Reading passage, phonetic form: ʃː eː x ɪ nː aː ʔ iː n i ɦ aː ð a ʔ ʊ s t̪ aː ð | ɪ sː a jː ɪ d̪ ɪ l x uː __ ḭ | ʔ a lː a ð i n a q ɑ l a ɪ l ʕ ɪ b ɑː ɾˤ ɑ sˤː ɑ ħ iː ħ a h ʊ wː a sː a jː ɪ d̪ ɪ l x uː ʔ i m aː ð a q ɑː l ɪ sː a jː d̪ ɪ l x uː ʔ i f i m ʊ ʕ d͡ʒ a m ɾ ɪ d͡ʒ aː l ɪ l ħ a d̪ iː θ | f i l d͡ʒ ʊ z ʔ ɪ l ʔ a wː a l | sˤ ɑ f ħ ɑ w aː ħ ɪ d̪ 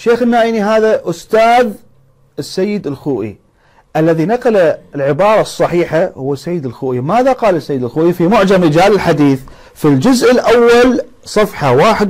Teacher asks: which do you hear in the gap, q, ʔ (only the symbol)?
ʔ